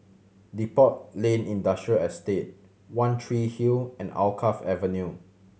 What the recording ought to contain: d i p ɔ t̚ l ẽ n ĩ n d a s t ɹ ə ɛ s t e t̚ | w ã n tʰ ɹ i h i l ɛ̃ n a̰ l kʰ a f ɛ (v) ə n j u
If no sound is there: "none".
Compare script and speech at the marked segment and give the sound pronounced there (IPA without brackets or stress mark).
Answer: v